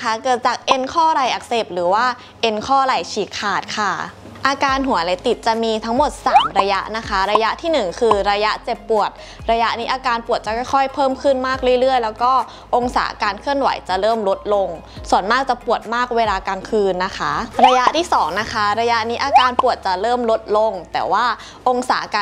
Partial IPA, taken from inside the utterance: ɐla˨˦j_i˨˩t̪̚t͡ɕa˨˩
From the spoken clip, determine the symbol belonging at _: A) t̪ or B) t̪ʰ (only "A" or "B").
A